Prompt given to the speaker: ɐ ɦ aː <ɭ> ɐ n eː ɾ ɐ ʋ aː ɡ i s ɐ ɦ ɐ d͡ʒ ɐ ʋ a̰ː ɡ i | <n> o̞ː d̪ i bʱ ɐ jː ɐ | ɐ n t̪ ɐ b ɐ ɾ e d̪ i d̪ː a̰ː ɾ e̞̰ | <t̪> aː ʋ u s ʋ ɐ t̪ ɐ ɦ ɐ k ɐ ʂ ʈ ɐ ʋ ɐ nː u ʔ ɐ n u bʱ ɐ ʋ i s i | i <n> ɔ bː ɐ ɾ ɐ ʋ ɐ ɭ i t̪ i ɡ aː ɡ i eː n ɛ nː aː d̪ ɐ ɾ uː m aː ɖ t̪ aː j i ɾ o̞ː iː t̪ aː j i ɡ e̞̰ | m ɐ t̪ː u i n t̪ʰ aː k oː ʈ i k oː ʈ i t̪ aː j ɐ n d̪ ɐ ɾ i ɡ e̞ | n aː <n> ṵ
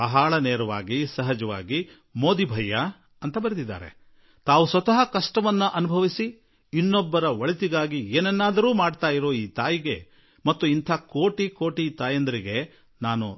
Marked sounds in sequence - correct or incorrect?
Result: correct, incorrect: m, correct, incorrect: nː, correct

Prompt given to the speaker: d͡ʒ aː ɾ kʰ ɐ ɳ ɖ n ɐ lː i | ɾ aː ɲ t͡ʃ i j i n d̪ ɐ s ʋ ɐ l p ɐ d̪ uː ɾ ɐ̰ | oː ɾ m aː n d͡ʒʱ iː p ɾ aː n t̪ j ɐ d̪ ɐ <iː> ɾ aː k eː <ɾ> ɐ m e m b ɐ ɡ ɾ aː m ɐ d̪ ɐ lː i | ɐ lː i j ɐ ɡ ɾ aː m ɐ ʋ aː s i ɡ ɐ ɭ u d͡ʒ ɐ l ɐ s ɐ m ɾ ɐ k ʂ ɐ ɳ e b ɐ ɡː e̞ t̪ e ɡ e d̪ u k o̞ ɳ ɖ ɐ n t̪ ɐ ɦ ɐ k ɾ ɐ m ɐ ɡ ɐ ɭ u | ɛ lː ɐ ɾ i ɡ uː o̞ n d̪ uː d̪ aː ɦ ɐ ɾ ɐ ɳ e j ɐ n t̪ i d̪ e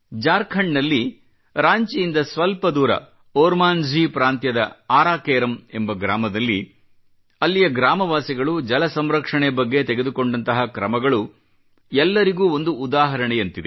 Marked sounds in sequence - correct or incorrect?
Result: incorrect: aː, correct

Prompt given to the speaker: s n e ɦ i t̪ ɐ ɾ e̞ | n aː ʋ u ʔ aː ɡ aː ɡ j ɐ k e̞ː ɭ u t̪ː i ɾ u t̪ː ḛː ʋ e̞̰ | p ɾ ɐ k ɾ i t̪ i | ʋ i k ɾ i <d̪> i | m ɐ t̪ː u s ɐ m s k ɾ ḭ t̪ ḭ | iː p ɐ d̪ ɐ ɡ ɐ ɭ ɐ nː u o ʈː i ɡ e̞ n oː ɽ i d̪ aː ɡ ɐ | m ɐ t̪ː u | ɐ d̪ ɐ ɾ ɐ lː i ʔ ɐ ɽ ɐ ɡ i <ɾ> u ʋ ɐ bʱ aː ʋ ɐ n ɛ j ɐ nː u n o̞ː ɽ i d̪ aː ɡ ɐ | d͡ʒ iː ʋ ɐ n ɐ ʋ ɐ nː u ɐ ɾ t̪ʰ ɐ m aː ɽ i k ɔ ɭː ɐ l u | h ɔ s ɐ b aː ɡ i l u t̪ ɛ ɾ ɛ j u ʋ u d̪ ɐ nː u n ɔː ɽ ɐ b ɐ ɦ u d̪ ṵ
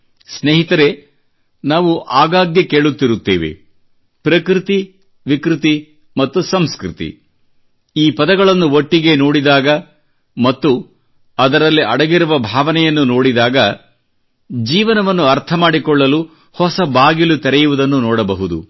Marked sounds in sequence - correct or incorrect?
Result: incorrect: t̪, correct

